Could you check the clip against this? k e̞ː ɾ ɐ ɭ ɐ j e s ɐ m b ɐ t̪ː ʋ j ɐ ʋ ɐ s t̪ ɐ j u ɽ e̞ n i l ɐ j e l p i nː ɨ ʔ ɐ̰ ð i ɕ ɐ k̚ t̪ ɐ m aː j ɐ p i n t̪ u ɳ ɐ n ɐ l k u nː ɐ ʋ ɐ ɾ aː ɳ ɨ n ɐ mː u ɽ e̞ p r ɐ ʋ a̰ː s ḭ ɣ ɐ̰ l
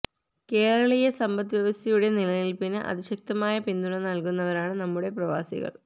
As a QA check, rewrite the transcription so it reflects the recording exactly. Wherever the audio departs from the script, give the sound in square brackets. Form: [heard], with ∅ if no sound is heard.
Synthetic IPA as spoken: k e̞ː ɾ ɐ ɭ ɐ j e s ɐ m b ɐ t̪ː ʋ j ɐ ʋ ɐ s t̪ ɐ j u ɽ e̞ n i l ɐ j [i] l p i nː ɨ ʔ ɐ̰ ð i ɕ ɐ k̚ t̪ ɐ m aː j ɐ p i n [d̪] u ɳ ɐ n ɐ l k u nː ɐ ʋ ɐ ɾ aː ɳ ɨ n ɐ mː u ɽ e̞ p r ɐ ʋ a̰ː s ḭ ɣ ɐ̰ [ɭ]